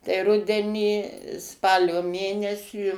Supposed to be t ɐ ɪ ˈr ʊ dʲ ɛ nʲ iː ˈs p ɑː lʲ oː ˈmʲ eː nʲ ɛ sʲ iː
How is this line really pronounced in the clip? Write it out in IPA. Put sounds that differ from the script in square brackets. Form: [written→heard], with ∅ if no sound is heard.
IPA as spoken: t ɐ ɪ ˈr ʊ dʲ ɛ nʲ iː ˈs p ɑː lʲ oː ˈmʲ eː nʲ ɛ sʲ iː